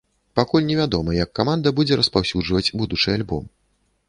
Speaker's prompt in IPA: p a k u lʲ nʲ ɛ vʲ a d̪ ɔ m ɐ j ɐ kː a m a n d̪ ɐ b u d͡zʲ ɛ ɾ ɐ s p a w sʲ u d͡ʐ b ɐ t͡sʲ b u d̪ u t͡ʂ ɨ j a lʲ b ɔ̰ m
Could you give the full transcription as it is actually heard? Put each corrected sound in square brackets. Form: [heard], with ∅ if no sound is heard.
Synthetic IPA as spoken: p a k u lʲ nʲ ɛ vʲ a d̪ ɔ m ɐ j ɐ kː a m a n d̪ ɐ b u d͡zʲ ɛ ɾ ɐ s p a w sʲ u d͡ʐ [v] ɐ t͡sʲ b u d̪ u t͡ʂ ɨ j a lʲ b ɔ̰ m